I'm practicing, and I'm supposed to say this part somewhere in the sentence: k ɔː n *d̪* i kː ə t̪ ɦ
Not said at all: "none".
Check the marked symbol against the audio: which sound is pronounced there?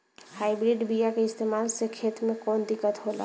d̪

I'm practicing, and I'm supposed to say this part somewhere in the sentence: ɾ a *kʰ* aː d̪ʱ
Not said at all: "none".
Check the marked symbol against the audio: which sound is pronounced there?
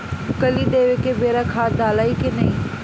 kʰ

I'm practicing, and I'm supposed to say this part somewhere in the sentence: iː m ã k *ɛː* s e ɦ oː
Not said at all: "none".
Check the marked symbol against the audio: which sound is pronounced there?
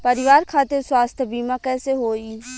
ɛː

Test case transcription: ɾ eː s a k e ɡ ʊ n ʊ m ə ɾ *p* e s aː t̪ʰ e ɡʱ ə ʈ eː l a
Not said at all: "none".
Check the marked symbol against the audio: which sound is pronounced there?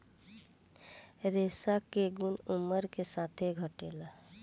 k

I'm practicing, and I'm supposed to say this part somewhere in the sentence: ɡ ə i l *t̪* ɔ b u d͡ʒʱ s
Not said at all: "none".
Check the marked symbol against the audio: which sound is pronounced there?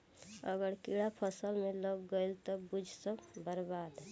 t̪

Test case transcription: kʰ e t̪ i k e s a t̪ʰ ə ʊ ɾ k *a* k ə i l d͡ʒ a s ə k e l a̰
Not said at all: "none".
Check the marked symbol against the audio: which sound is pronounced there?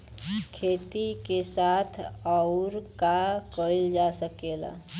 a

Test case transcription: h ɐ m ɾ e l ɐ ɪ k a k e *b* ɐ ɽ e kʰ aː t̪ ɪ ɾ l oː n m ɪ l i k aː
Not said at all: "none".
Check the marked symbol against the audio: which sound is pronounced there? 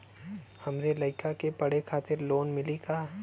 p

